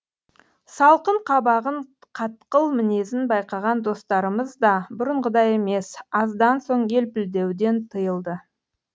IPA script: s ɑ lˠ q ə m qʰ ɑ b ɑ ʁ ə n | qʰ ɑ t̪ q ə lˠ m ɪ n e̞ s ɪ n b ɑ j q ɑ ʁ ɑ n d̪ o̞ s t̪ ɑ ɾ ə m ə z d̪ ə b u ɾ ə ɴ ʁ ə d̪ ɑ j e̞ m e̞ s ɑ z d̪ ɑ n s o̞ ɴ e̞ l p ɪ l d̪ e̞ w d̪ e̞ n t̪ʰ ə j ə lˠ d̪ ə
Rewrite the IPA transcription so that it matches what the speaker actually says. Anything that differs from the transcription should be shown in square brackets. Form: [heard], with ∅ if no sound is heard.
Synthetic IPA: s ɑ lˠ q ə [ɴ] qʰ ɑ b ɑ ʁ ə [ɴ] | qʰ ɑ t̪ q ə lˠ m ɪ n e̞ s ɪ n b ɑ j q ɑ ʁ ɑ n d̪ o̞ s t̪ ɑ ɾ ə m ə z d̪ [ɑ] b [ʊ] ɾ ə ɴ ʁ ə d̪ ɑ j e̞ m e̞ s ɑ z d̪ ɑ n s o̞ ɴ e̞ l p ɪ l d̪ e̞ w d̪ e̞ n t̪ʰ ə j ə lˠ d̪ ə